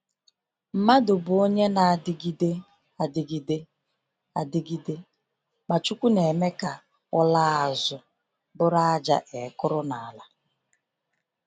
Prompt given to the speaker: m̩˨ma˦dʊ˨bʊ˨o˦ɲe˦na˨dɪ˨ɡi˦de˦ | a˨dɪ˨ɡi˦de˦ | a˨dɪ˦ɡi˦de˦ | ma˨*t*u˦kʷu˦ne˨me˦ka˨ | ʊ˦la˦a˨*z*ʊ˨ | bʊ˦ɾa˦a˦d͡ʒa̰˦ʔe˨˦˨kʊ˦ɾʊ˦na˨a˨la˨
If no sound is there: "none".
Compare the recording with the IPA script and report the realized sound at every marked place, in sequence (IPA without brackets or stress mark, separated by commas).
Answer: t͡ʃ, z